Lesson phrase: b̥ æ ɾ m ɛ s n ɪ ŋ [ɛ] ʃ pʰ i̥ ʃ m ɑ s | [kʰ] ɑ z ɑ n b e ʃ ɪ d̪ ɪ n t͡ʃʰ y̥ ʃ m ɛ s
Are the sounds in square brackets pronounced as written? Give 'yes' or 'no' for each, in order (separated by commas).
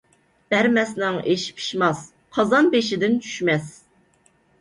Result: no, no